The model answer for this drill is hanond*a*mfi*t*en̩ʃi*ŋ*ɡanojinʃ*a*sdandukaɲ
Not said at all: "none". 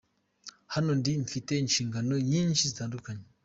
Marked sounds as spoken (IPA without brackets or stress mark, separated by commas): i, t, ŋ, i